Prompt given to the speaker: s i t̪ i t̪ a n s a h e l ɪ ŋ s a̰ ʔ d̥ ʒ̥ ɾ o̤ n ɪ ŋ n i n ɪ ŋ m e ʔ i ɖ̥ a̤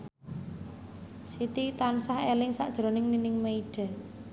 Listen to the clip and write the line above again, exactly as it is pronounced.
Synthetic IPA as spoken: s i t̪ i t̪ a n s a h e l ɪ ŋ s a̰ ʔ d̥ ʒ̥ ɾ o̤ n ɪ ŋ n i n ɪ ŋ m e i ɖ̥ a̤

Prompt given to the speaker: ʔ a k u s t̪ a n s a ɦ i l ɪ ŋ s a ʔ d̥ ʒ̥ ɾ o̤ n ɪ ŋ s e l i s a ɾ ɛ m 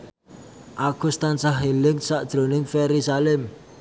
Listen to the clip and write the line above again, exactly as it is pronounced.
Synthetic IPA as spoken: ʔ a k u s t̪ a n s a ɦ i l ɪ ŋ s a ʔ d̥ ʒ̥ ɾ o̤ n ɪ ŋ f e ɾ i s a l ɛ m

